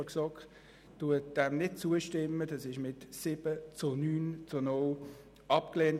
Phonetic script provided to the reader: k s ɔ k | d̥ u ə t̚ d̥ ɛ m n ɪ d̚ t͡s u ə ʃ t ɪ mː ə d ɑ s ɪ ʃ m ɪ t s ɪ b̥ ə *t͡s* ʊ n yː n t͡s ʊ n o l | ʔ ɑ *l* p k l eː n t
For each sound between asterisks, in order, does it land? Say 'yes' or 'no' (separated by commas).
yes, no